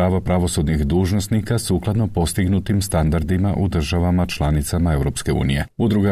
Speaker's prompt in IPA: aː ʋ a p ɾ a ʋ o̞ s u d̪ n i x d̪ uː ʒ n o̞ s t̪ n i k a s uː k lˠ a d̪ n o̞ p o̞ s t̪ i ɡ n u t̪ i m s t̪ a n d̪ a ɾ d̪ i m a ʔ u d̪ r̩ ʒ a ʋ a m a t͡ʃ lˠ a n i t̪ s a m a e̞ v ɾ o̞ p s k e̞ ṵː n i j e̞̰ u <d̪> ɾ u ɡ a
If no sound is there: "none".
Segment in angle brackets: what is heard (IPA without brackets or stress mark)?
d̪